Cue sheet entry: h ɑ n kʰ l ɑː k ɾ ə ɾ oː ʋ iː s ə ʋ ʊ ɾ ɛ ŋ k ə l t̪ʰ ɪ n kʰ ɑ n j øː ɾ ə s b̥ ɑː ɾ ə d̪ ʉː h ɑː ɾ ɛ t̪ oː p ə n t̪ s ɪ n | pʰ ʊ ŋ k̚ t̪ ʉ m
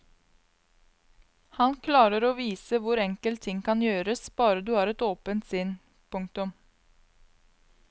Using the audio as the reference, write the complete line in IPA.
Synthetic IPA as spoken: h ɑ n kʰ l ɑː ɾ ə ɾ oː ʋ iː s ə ʋ ʊ ɾ ɛ ŋ k ə l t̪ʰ ɪ ŋ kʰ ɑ n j øː ɾ ə s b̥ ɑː ɾ ə d̪ ʉː h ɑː ɾ ɛ t̪ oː p ə n t̪ s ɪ n | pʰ ʊ ŋ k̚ t̪ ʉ m

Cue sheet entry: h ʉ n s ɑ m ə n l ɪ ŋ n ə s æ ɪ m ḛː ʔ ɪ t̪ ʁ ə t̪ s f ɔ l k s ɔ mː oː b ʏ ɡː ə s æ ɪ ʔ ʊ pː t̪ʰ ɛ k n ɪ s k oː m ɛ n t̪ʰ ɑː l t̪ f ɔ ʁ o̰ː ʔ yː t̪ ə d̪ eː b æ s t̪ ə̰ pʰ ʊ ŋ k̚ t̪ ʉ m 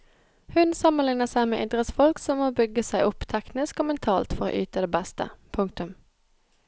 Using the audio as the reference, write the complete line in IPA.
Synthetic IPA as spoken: h ʉ n s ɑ m ə n l ɪ ŋ n ə s æ ɪ m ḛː ʔ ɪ d̪ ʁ ə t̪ s f ɔ l k s ɔ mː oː b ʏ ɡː ə s æ ɪ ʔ ʊ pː t̪ʰ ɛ k n ɪ s k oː m ɛ n t̪ʰ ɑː l t̪ f ɔ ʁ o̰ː ʔ yː t̪ ə d̪ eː b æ s t̪ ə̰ pʰ ʊ ŋ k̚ t̪ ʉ m

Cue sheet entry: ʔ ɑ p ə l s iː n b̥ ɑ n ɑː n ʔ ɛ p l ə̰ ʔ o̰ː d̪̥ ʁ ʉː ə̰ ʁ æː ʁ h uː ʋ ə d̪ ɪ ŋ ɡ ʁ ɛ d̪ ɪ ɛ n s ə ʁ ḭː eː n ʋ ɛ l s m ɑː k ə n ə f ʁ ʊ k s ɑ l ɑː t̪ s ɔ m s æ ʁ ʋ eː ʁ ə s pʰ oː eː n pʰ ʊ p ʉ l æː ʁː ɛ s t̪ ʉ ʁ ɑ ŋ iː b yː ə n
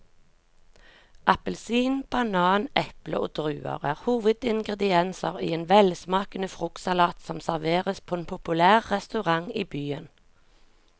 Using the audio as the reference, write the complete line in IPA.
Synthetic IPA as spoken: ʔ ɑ p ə l s iː n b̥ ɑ n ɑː n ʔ ɛ p l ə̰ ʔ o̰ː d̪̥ ʁ ʉː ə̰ ʁ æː ʁ h uː ʋ ə d̪ ɪ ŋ ɡ ʁ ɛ d̪ ɪ ɛ n s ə ʁ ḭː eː n ʋ ɛ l s m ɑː k ə n ə f ʁ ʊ k s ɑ l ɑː t̪ s ɔ m s æ ʁ ʋ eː ʁ ə s pʰ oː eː n pʰ ʊ p ʉ l æː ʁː ɛ s t̪ ʉ ʁ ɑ ŋ iː b yː ə n

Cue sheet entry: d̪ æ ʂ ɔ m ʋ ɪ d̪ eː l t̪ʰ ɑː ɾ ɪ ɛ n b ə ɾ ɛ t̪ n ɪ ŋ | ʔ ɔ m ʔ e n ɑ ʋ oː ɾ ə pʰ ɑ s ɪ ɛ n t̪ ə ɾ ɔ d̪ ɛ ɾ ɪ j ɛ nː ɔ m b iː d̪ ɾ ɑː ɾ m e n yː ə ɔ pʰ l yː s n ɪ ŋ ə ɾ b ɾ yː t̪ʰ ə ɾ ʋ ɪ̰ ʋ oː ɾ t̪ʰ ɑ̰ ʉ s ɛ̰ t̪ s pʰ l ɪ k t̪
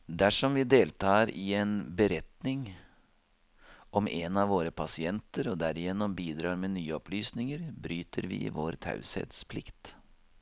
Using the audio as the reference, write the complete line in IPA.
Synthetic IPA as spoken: d̪ æ ʂ ɔ m ʋ ɪ d̪ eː l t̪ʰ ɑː ɾ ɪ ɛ n b ə ɾ ɛ t̪ n ɪ ŋ | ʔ ɔ m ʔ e n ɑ ʋ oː ɾ ə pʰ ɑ s ɪ ɛ n t̪ ə ɾ ɔ d̪ æ ɾ ɪ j ɛ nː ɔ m b iː d̪ ɾ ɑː ɾ m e n yː ə ɔ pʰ l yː s n ɪ ŋ ə ɾ b ɾ yː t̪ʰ ə ɾ ʋ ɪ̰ ʋ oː ɾ t̪ʰ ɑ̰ ʉ s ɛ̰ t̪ s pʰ l ɪ k t̪

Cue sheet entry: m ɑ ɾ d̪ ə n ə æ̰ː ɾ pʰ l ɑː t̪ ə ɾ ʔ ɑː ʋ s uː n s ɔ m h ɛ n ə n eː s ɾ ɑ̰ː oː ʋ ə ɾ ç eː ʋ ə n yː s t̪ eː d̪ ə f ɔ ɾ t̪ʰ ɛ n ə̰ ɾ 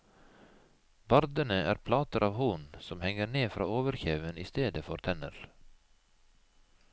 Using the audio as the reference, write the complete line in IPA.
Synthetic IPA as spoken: b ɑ ɾ d̪ ə n ə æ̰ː ɾ pʰ l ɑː t̪ ə ɾ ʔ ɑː ʋ h uː n s ɔ m h ɛ ŋ ə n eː f ɾ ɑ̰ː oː ʋ ə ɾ ç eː ʋ ə n iː s t̪ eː d̪ ə f ɔ ɾ t̪ʰ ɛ n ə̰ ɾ

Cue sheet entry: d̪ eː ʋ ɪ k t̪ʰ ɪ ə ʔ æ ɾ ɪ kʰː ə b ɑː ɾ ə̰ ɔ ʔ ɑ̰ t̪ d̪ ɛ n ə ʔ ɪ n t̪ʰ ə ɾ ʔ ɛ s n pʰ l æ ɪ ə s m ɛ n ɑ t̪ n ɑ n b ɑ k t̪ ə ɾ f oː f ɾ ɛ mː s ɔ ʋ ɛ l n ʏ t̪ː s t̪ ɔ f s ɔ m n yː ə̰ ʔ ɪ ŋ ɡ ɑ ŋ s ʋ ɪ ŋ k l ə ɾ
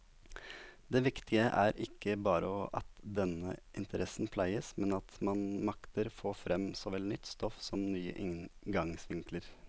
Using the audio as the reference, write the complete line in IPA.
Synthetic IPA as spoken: d̪ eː ʋ ɪ k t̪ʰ ɪ ə ʔ æ ɾ ɪ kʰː ə b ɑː ɾ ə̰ ɔ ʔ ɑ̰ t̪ d̪ ɛ n ə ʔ ɪ n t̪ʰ ə ɾ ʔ ɛ s n pʰ l æ ɪ ə s m ɛ n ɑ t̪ m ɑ n m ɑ k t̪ ə ɾ f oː f ɾ ɛ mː s ɔ ʋ ɛ l n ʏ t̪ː s t̪ ɔ f s ɔ m n yː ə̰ ʔ ɪ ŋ ɡ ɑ ŋ s ʋ ɪ ŋ k l ə ɾ

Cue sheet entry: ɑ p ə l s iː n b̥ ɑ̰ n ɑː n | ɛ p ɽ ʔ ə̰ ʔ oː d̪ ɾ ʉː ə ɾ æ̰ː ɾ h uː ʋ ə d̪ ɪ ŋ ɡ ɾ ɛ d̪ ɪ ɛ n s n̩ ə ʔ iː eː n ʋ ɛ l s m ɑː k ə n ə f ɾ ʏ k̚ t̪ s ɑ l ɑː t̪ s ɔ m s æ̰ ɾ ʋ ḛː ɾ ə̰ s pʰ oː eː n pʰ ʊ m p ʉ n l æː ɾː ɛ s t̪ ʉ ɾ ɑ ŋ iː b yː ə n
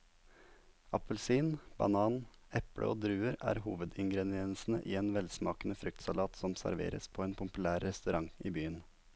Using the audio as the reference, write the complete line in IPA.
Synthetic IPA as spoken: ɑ p ə l s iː n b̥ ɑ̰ n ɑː n | ɛ p ɽ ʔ ə̰ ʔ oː d̪ ɾ ʉː ə ɾ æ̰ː ɾ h uː ʋ ə d̪ ɪ ŋ ɡ ɾ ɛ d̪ ɪ ɛ n s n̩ ə ʔ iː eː n ʋ ɛ l s m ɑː k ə n ə f ɾ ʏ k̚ t̪ s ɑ l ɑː t̪ s ɔ m s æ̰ ɾ ʋ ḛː ɾ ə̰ s pʰ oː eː n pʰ ʊ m p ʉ l æː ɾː ɛ s t̪ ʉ ɾ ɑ ŋ iː b yː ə n

